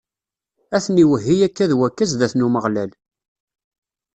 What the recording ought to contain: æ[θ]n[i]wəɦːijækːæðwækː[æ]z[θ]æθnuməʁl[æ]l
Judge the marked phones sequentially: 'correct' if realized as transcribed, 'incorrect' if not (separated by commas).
correct, correct, correct, incorrect, correct